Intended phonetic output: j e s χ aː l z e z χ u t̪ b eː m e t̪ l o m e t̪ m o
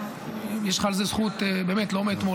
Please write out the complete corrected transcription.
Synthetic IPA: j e ʃ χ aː l z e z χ u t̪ b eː m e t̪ l o m e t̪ m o

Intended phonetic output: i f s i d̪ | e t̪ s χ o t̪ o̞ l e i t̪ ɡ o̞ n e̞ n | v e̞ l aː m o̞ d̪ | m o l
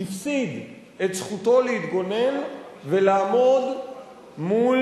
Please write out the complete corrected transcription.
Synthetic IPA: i f s i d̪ | e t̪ s χ u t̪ o̞ l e i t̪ ɡ o̞ n e̞ n | v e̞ l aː m o̞ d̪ | m u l

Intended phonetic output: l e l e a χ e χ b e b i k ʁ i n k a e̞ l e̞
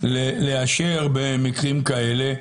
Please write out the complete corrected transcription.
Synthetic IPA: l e l e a ʃ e ʁ b e m i k ʁ i m k a e̞ l e̞

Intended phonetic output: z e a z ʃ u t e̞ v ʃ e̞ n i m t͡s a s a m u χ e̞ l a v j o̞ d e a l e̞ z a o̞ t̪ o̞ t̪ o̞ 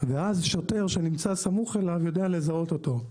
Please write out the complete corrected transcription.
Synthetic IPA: v e a z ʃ o t e̞ ʁ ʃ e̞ n i m t͡s a s a m u χ e̞ l a v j o̞ d e a l e̞ z a o̞ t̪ o̞ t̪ o̞

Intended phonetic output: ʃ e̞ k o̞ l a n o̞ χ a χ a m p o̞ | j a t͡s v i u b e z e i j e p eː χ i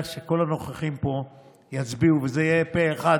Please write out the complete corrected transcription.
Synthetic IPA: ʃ e̞ k o̞ l a n o̞ χ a χ i m p o̞ | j a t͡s b i u v e z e i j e p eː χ a

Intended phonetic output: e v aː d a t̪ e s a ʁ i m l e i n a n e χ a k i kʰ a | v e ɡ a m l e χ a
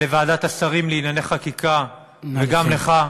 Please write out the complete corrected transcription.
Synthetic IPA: e v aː d a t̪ a s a ʁ i m l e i n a n e χ a k i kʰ a | v e ɡ a m l e χ a

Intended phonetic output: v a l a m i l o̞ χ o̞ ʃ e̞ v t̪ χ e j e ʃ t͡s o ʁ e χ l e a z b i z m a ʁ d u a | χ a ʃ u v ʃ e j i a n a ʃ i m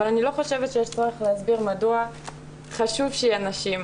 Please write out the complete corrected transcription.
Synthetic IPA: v a l a n i l o̞ χ o̞ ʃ e̞ v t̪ ʃ e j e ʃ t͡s o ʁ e χ l e a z b i ʁ m a d u a | χ a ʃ u v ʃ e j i a n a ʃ i m

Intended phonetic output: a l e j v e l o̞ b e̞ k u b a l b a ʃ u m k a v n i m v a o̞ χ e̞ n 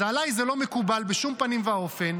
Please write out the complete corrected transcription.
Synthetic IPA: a l a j z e l o̞ m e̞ k u b a l b e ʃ u m p a n i m v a o̞ f e̞ n

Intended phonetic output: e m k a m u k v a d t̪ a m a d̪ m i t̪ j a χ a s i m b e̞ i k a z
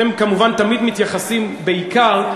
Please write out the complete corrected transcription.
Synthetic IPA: e m k a m u v a n t̪ a m i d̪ m i t̪ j a χ a s i m b e̞ i k a ʁ

